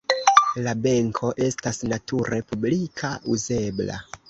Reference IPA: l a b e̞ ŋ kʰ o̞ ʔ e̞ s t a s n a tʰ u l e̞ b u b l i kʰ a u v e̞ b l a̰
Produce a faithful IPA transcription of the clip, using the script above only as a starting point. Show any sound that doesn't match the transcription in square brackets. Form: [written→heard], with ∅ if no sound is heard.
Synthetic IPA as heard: l a b e̞ ŋ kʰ o̞ ʔ e̞ s t a s n a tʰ u [l→ɾ] e̞ [b→p] u b l i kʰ a u [v→z] e̞ b l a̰